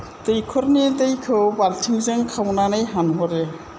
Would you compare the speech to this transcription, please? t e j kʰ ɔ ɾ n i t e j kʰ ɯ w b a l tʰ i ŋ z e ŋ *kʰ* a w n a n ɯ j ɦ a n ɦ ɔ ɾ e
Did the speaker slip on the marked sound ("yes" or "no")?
no